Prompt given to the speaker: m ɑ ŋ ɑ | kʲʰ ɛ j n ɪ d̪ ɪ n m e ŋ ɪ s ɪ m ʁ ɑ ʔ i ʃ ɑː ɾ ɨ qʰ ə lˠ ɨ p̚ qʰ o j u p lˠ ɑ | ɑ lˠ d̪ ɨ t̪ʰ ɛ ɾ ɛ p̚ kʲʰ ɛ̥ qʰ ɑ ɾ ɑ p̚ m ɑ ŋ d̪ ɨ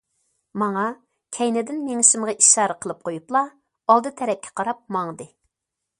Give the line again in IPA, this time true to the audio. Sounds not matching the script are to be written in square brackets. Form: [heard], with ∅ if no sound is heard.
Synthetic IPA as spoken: m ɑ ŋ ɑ | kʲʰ ɛ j n ɪ d̪ ɪ n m e ŋ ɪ [ʃ] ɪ m ʁ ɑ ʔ i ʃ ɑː ɾ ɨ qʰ ə lˠ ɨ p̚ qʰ o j u p lˠ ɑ | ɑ lˠ d̪ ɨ t̪ʰ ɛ ɾ ɛ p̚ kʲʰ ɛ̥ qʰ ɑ ɾ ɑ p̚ m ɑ ŋ d̪ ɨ